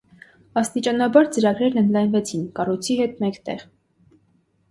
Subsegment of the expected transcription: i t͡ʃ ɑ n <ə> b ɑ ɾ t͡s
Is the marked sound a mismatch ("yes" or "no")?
yes